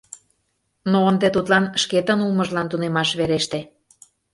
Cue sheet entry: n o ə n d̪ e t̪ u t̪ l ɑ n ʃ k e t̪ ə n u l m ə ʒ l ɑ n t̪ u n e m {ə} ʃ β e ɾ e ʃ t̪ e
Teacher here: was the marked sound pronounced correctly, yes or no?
no